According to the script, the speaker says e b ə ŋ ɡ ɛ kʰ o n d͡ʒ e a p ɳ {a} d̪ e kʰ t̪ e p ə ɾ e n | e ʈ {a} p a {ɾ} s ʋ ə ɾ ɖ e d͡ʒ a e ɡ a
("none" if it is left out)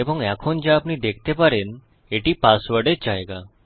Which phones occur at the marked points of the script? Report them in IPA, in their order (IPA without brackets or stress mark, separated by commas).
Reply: i, i, none